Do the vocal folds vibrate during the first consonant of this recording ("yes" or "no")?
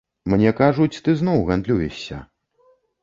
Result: yes